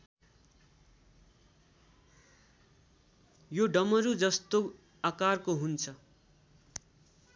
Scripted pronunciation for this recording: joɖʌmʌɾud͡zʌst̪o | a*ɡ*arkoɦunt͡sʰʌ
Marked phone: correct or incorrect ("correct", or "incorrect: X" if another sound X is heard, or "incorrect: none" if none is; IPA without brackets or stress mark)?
incorrect: k